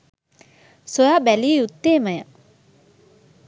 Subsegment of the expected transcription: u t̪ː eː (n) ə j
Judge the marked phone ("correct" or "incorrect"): incorrect